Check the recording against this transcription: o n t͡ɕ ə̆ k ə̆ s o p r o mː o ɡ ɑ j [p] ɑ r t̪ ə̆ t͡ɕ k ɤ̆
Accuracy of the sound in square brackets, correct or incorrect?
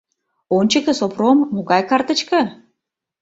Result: incorrect